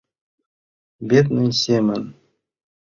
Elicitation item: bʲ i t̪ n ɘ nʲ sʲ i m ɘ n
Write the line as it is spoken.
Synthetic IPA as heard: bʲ e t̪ n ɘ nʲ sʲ e m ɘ n